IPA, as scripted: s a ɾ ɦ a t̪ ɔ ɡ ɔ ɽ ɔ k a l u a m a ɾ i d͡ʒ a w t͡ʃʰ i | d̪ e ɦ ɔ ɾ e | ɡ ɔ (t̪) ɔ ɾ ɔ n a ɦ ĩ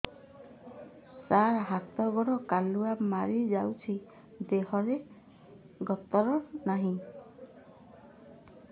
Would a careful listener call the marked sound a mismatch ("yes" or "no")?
no